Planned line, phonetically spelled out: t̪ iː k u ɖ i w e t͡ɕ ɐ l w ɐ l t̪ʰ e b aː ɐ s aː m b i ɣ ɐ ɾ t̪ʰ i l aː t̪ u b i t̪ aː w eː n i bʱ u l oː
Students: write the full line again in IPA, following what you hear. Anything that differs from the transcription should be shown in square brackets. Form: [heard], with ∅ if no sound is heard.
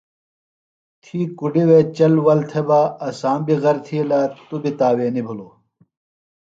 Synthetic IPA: [t̪ʰ] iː k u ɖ i w e t͡ɕ ɐ l w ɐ l t̪ʰ e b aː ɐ s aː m b i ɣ ɐ ɾ t̪ʰ i l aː t̪ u b i t̪ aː w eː n i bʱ u l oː